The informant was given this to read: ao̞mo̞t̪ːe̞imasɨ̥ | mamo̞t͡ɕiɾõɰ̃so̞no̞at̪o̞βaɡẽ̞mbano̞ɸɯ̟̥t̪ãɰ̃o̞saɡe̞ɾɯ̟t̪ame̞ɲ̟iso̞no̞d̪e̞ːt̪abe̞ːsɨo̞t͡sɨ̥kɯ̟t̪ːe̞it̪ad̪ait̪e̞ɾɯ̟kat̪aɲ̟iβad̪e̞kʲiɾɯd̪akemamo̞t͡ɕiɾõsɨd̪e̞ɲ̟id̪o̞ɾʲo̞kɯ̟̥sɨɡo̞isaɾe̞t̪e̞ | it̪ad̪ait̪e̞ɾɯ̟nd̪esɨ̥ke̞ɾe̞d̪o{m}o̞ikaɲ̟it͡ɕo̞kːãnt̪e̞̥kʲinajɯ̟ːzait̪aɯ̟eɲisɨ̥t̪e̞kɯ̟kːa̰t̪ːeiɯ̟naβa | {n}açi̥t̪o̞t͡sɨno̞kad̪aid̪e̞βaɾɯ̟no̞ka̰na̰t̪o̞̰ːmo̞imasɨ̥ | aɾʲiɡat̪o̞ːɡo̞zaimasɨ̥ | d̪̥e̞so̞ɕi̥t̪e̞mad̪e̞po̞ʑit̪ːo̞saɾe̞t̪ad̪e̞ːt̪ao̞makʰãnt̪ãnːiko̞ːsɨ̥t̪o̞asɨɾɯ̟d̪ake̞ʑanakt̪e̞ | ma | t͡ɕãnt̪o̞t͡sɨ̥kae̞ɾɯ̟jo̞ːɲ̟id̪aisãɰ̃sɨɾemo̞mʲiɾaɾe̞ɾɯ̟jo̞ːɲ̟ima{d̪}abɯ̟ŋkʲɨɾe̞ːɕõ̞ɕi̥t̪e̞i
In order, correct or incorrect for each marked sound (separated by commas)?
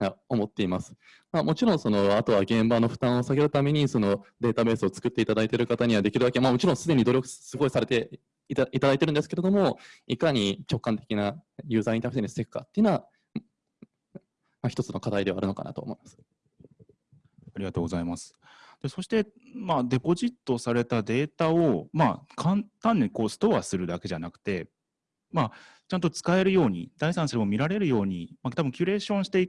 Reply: correct, incorrect, incorrect